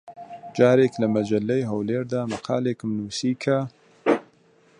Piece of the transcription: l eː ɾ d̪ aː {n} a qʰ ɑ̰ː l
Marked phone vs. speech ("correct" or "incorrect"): incorrect